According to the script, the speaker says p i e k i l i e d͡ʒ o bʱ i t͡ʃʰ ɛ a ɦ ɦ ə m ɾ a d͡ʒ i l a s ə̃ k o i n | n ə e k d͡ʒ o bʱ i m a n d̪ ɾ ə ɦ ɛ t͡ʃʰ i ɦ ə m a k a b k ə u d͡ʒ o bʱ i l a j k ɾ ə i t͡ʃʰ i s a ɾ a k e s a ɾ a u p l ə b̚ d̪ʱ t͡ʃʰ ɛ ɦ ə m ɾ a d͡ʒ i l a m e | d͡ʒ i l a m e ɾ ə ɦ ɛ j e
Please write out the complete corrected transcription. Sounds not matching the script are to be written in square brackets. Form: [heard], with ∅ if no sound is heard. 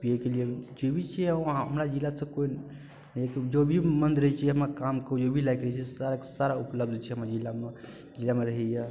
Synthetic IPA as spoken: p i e k [e] l i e d͡ʒ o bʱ i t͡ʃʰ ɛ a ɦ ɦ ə m ɾ a d͡ʒ i l a s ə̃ k o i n | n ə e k d͡ʒ o bʱ i m [ə] n d̪ ɾ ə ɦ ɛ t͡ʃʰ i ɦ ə m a k a [m] k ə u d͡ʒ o bʱ i l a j k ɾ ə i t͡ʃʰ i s a ɾ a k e s a ɾ a u p l ə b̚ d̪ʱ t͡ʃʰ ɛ ɦ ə m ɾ a d͡ʒ i l a m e | d͡ʒ i l a m e ɾ ə ɦ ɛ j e

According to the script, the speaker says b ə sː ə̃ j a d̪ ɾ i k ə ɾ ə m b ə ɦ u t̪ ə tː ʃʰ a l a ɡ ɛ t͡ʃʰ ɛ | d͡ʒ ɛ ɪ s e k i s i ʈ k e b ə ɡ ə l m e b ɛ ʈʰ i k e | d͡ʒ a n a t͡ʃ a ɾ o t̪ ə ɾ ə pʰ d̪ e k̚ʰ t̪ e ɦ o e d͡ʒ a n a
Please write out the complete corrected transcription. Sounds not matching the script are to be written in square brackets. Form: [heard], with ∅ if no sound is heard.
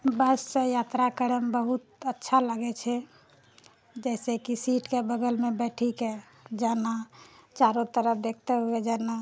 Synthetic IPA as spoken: b ə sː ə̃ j a [t̪] ɾ [a] k ə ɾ ə m b ə ɦ u t̪ ə tː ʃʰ a l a ɡ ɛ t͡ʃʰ ɛ | d͡ʒ ɛ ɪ s e k i s i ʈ k e b ə ɡ ə l m e b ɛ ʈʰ i k e | d͡ʒ a n a t͡ʃ a ɾ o t̪ ə ɾ ə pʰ d̪ e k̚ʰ t̪ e ɦ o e d͡ʒ a n a

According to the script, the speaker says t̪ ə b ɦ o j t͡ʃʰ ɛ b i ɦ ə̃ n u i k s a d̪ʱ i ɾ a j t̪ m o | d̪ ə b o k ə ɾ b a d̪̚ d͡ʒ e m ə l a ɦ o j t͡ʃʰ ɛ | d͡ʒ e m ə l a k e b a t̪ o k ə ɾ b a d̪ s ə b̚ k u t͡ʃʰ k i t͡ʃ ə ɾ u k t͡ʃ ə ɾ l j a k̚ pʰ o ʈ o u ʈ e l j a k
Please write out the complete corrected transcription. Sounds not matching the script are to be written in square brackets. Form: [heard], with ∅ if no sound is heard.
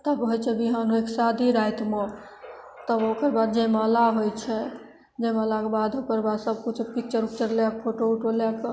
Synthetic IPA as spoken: t̪ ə b ɦ o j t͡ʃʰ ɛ b i ɦ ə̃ n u [e] k s a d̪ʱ i ɾ a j t̪ m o | [t̪] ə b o k ə ɾ b a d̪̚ d͡ʒ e m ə l a ɦ o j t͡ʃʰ ɛ | d͡ʒ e m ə l a k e b a [d̪] o k ə ɾ b a d̪ s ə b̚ k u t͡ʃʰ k i t͡ʃ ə ɾ u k t͡ʃ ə ɾ l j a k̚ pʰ o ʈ o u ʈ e l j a k

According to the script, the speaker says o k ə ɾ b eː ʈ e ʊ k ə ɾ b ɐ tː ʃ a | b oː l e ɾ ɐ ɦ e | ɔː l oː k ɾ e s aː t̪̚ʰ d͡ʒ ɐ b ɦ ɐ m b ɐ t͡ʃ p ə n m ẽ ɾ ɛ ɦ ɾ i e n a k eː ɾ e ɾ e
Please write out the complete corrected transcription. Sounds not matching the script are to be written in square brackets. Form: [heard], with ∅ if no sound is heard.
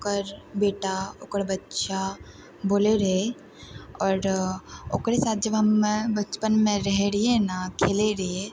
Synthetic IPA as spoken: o k ə ɾ b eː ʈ [a] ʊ k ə ɾ b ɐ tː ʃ a | b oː l e ɾ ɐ ɦ e | ɔː [ɾ] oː k ɾ e s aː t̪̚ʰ d͡ʒ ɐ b ɦ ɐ m b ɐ t͡ʃ p ə n m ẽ ɾ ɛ ɦ ɾ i e n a [kʰ] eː [l] e ɾ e

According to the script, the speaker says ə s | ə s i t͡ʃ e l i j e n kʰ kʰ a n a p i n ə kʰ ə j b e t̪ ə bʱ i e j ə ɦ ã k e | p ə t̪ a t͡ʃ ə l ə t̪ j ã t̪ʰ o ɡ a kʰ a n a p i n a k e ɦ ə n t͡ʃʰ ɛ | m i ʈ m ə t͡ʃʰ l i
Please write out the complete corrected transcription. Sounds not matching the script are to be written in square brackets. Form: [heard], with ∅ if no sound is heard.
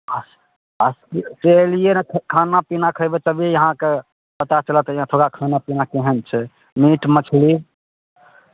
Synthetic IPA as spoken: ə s | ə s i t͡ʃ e l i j e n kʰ kʰ a n a p i n [a] kʰ ə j b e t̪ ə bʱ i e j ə ɦ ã k e | p ə t̪ a t͡ʃ ə l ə t̪ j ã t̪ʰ o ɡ a kʰ a n a p i n a k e ɦ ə n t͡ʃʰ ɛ | m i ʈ m ə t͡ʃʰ l i

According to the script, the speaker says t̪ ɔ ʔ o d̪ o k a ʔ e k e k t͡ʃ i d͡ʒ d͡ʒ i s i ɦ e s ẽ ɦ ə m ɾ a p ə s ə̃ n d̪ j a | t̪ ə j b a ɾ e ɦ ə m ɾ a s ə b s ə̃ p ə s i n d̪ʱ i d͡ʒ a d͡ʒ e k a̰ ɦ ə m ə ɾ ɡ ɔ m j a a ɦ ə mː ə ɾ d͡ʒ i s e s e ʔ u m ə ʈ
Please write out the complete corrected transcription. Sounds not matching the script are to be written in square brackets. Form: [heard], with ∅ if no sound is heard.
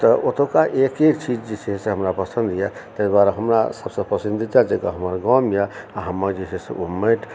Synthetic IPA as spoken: t̪ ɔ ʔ o [t̪] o k a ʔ e k e k t͡ʃ i d͡ʒ d͡ʒ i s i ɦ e s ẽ ɦ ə m ɾ a p ə s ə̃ n d̪ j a | t̪ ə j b a ɾ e ɦ ə m ɾ a s ə b s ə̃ p ə s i n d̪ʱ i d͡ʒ a d͡ʒ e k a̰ ɦ ə m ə ɾ ɡ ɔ m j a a ɦ ə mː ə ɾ d͡ʒ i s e s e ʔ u m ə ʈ

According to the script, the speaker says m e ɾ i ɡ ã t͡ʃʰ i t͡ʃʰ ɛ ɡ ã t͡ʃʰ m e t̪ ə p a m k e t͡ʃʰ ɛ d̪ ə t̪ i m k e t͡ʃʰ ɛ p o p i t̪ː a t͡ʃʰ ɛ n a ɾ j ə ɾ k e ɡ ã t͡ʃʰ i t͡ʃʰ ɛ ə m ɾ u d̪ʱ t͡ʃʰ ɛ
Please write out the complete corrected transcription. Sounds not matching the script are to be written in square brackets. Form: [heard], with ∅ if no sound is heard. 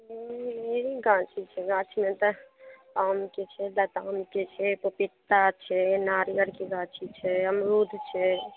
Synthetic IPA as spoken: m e ɾ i ɡ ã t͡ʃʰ i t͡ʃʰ ɛ ɡ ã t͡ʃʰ m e t̪ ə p a m k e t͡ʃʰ ɛ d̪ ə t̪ [a] m k e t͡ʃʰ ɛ p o p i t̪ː a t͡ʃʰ ɛ n a ɾ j ə ɾ k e ɡ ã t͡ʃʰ i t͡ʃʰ ɛ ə m ɾ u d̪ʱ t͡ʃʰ ɛ

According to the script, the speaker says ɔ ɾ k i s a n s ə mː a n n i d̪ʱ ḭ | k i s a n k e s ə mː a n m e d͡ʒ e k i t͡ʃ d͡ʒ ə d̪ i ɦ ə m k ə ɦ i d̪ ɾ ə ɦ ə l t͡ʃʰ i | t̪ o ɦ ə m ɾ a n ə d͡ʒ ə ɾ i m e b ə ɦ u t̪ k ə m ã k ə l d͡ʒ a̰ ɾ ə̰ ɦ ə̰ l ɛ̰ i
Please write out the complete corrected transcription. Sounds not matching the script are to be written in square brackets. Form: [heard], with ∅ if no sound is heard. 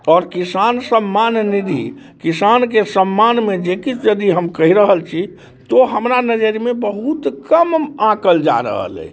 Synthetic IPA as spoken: ɔ ɾ k i s a n s ə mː a n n i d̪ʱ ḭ | k i s a n k e s ə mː a n m e d͡ʒ e k i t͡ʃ d͡ʒ ə d̪ i ɦ ə m k ə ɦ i [∅] ɾ ə ɦ ə l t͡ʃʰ i | t̪ o ɦ ə m ɾ a n ə d͡ʒ ə ɾ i m e b ə ɦ u t̪ k ə m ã k ə l d͡ʒ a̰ ɾ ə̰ ɦ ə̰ l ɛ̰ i

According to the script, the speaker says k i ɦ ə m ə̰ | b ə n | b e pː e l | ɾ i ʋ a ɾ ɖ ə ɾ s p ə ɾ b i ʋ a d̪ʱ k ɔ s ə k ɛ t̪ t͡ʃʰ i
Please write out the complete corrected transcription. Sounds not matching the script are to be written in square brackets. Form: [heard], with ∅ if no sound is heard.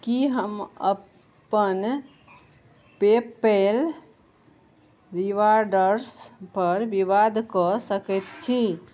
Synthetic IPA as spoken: k i ɦ ə m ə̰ | [p] ə n | [p] e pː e l | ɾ i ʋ a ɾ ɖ ə ɾ s p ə ɾ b i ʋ a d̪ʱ k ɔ s ə k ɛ t̪ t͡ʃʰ i

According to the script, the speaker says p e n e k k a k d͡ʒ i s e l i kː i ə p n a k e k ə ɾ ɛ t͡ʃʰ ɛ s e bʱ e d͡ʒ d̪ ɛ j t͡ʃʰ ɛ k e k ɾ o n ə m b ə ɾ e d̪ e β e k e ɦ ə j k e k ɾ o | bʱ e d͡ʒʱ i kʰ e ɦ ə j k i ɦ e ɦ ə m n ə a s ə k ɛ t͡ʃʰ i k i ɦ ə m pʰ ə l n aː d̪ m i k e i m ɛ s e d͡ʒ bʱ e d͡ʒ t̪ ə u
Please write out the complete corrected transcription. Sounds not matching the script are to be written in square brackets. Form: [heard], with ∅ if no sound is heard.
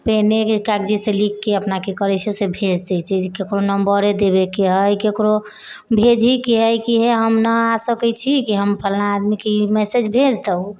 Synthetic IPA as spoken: p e n e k k a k d͡ʒ i s e l i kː [e] ə p n a k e k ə ɾ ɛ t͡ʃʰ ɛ s e bʱ e d͡ʒ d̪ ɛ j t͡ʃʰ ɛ k e k ɾ o n ə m b ə ɾ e d̪ e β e k e ɦ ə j k e k ɾ o | bʱ e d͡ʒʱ i [k] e ɦ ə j k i ɦ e ɦ ə m n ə a s ə k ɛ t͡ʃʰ i k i ɦ ə m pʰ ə l n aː d̪ m i k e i m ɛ s e d͡ʒ bʱ e d͡ʒ t̪ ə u

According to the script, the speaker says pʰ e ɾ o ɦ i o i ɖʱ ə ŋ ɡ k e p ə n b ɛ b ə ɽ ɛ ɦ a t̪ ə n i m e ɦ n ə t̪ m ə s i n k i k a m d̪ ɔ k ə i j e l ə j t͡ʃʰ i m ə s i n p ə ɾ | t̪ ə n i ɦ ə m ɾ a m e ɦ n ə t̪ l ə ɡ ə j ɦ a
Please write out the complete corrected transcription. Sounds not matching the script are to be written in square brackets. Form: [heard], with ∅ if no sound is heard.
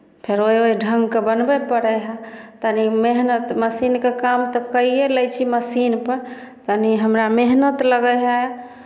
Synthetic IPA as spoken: pʰ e ɾ o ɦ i o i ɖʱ ə ŋ ɡ k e [b] ə n b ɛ [p] ə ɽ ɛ ɦ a t̪ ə n i m e ɦ n ə t̪ m ə s i n k [e] k a m [t̪] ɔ k ə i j e l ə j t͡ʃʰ i m ə s i n p ə ɾ | t̪ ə n i ɦ ə m ɾ a m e ɦ n ə t̪ l ə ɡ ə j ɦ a

